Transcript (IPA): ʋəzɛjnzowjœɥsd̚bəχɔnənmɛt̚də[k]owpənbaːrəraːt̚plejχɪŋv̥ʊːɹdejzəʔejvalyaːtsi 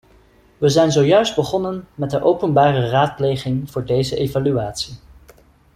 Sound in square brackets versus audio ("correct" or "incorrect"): incorrect